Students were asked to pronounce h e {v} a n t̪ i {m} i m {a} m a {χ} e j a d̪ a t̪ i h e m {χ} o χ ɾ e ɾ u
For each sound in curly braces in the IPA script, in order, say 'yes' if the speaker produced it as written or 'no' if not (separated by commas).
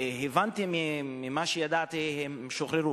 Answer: yes, yes, no, no, no